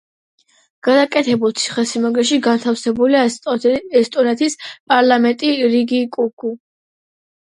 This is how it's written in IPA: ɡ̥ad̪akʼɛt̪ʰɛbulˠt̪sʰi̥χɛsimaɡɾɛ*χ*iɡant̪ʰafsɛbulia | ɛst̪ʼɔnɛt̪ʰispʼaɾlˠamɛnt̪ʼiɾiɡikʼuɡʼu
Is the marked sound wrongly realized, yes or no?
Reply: yes